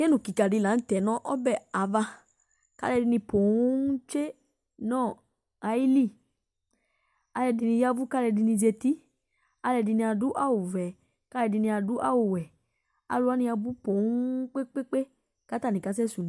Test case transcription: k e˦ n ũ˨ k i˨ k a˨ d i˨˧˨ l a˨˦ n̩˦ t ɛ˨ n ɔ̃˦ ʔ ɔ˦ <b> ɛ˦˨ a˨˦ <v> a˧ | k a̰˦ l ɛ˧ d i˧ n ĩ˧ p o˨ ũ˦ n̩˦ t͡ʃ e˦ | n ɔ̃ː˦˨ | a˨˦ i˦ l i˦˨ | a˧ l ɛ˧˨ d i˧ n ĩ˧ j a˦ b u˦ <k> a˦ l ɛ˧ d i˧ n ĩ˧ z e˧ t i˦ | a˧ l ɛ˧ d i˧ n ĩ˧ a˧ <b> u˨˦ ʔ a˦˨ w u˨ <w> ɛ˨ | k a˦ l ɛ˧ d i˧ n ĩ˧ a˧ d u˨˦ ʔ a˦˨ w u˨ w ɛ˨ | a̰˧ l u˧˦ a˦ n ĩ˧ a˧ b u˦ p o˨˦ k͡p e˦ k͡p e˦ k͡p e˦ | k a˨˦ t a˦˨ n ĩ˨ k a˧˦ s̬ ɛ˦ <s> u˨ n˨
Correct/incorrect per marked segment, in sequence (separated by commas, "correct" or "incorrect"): correct, correct, correct, incorrect, incorrect, correct